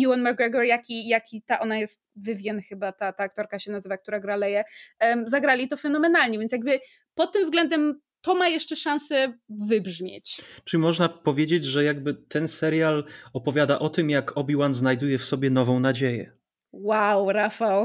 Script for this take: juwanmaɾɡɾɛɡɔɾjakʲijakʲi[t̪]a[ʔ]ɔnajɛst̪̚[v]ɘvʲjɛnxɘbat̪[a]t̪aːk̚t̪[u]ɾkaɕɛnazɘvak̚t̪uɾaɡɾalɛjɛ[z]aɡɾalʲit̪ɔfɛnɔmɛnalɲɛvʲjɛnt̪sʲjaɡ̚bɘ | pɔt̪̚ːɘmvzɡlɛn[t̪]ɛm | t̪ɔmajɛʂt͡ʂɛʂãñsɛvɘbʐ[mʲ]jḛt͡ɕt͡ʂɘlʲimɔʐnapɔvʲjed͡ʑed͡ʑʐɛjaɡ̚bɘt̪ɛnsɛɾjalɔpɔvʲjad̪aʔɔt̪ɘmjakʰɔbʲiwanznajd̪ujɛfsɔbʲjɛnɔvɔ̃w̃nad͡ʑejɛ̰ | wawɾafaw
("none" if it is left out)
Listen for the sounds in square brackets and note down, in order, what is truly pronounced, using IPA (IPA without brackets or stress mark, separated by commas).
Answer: t̪, ʔ, v, a, ɔ, z, d̪, mʲ